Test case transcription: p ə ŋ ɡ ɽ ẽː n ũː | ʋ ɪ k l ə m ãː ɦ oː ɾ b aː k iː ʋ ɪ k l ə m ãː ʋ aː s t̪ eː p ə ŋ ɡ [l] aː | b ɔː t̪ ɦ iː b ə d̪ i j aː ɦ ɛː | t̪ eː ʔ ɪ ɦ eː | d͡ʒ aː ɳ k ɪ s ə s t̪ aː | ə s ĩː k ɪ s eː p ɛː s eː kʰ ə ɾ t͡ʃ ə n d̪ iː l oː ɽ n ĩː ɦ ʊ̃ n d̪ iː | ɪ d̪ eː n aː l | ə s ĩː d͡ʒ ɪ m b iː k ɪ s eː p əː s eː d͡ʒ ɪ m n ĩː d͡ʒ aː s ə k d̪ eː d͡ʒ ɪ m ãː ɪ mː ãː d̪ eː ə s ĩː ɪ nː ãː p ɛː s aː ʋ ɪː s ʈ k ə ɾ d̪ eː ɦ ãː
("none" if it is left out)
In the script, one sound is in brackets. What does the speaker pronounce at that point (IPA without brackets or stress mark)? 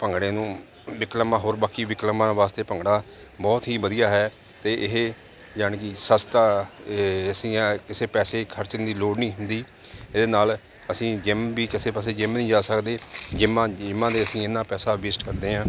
ɽ